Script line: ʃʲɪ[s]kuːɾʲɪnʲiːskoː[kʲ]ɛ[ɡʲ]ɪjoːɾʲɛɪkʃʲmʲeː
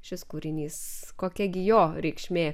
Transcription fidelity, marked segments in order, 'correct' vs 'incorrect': correct, correct, correct

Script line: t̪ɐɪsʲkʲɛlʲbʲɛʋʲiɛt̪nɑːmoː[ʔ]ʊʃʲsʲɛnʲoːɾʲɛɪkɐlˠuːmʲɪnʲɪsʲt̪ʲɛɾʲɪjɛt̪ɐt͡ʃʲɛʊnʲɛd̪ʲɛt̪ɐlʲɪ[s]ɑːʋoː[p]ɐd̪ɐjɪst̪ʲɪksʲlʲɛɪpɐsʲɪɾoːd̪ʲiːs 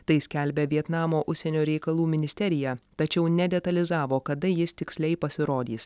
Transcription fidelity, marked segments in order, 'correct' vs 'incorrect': correct, incorrect, incorrect

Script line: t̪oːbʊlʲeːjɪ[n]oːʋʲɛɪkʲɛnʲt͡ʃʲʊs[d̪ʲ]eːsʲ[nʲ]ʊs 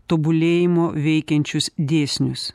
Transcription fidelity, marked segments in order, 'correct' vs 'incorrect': incorrect, correct, correct

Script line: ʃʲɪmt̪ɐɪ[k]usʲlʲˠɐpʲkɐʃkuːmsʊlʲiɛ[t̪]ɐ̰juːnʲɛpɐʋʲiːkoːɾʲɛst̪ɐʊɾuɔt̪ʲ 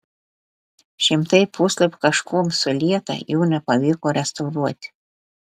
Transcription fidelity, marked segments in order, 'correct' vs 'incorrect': incorrect, correct

